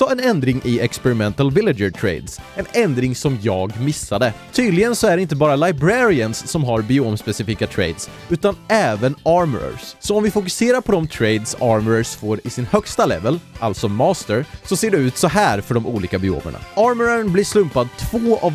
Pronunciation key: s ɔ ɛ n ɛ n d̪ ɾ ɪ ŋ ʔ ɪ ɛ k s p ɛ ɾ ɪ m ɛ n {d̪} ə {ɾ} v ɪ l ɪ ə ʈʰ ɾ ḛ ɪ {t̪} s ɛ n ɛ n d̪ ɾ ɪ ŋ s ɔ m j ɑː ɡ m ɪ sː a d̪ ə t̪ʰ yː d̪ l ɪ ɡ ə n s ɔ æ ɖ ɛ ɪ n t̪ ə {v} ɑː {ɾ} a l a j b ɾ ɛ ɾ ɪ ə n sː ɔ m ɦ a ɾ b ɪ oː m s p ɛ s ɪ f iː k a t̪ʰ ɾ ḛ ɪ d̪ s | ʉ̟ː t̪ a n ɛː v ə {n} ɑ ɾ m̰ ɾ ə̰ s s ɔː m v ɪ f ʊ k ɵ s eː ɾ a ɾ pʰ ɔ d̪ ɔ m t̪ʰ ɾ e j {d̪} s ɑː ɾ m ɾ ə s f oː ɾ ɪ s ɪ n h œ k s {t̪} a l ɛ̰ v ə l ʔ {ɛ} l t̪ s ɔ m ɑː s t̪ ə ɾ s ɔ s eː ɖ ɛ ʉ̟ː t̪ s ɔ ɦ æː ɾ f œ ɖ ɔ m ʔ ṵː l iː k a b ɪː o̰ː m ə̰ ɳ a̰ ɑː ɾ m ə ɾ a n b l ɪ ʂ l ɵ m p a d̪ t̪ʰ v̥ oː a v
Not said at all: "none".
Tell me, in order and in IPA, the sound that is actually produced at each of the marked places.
t̪, l, d̪, b, ɾ, n, d̪, t̪, a

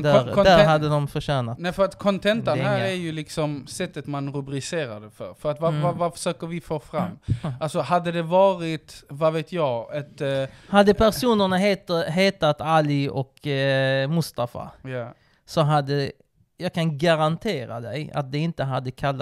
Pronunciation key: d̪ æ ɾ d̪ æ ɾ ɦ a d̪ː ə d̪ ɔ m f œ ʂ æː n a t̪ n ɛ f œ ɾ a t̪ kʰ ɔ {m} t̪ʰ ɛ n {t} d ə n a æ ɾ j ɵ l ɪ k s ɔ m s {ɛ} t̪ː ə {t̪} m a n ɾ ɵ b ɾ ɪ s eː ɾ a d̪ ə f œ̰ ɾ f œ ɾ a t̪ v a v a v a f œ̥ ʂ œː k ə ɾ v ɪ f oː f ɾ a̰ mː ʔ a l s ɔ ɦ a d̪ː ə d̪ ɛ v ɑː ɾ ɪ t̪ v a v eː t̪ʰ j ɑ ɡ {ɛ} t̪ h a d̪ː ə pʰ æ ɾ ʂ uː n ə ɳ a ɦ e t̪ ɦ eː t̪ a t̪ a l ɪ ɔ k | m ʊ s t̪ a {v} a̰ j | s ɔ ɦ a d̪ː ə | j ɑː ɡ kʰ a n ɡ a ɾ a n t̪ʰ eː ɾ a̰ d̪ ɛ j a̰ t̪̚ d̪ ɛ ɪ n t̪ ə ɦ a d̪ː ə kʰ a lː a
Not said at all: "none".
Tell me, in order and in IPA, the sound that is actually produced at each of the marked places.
n, t, ɛ, t̪, ɛ, f

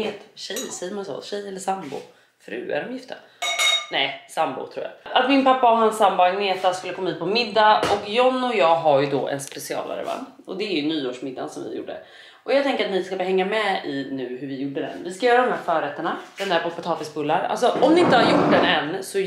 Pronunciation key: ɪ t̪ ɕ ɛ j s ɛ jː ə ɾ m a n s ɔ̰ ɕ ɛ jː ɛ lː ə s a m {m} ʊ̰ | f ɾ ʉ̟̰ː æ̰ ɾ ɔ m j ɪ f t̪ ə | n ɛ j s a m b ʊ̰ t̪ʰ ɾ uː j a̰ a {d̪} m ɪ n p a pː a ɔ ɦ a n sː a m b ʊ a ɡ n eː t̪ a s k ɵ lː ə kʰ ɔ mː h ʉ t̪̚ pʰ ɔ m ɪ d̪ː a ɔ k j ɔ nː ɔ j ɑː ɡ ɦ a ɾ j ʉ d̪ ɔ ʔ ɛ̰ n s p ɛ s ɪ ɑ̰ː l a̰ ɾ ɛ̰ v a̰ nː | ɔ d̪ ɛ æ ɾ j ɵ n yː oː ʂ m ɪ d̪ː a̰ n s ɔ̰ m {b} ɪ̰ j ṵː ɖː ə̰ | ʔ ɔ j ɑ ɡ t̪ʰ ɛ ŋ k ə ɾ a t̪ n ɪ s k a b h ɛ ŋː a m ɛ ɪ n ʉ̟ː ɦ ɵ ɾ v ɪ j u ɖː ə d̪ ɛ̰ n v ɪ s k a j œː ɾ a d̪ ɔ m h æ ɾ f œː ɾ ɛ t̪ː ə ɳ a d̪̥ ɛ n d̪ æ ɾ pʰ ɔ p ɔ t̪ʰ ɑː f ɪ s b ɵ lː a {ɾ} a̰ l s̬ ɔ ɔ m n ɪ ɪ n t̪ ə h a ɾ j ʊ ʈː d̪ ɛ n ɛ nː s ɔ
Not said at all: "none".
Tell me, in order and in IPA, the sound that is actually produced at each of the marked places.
b, t̪, v, ɾ

